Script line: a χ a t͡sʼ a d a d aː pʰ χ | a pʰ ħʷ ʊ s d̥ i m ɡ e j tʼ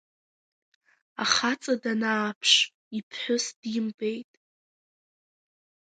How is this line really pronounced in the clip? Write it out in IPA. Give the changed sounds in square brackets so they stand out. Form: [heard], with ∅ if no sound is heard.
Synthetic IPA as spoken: a χ a t͡sʼ a d a [n] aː pʰ [ʂ] | [i] pʰ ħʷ ʊ s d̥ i m [b] e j tʼ